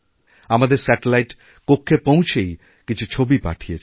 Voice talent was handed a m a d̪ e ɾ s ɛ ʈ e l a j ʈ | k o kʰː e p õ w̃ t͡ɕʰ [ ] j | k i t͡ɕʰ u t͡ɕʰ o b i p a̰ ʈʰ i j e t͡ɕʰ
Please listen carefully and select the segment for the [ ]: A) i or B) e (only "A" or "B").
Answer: B